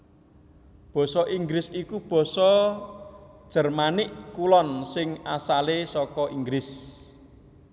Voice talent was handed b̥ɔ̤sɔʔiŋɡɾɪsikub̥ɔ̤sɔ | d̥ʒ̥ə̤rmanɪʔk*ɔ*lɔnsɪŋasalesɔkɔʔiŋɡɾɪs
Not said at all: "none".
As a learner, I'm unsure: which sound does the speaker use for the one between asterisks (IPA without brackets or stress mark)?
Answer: u